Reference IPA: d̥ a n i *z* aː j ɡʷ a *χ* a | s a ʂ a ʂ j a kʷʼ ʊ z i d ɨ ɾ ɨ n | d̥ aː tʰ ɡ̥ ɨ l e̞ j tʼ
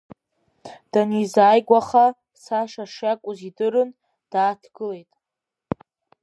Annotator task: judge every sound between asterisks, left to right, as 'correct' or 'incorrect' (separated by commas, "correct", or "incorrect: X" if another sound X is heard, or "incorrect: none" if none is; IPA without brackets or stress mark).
correct, correct